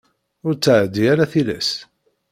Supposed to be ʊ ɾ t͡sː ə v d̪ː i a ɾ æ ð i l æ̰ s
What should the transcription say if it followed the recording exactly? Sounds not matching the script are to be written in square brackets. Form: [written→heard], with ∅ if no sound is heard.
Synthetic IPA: ʊ ɾ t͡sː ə [v→ʕ] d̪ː i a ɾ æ [ð→θ] i l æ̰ s